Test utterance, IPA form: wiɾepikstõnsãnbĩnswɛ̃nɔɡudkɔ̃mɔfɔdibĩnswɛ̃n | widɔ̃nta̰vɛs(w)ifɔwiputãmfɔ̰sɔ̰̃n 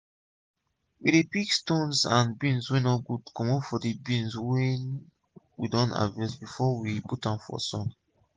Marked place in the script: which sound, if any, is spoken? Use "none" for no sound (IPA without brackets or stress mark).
b